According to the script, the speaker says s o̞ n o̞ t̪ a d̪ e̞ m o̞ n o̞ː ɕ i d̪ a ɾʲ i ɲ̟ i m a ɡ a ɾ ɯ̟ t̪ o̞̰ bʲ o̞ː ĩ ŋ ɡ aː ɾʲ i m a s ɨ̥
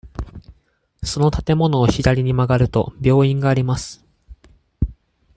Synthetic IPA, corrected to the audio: s o̞ n o̞ t̪ a t̪ e̞ m o̞ n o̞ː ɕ i d̪ a ɾʲ i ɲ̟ i m a ɡ a ɾ ɯ̟ t̪ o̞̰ bʲ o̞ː ĩ ŋ ɡ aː ɾʲ i m a s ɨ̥